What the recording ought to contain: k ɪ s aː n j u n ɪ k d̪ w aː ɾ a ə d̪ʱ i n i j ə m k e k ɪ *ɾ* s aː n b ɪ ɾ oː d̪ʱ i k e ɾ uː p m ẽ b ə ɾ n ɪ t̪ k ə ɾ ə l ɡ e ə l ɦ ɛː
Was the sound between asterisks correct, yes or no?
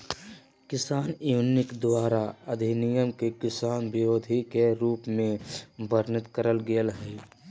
no